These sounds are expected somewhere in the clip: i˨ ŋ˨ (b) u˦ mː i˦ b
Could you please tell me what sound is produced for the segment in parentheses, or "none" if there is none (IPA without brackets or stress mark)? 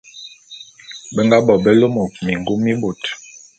ɡ